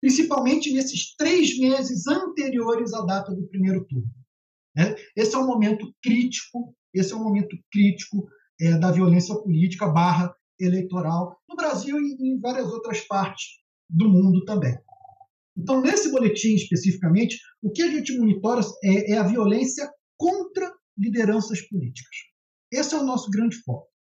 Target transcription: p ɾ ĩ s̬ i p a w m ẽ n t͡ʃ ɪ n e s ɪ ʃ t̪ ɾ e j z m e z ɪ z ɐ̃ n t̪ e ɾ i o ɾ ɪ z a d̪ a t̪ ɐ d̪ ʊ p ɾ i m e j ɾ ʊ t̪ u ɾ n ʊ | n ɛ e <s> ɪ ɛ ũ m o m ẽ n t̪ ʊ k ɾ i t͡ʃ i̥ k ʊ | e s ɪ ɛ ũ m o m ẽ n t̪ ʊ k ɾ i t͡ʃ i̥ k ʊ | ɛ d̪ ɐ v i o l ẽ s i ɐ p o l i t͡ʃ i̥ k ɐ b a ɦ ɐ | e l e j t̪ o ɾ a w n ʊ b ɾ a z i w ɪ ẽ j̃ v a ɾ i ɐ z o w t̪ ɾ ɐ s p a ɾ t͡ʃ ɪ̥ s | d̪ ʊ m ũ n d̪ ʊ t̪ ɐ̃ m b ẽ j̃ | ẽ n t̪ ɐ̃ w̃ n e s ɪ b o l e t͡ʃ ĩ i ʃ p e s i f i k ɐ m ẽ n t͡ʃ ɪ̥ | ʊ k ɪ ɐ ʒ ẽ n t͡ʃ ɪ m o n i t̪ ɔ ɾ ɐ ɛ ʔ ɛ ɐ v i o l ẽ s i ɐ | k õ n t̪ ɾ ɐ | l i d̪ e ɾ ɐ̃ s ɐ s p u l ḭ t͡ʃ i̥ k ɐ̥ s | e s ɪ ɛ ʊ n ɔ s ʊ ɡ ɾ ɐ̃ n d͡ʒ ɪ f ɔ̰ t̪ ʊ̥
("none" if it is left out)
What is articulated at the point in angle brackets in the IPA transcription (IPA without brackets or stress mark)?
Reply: s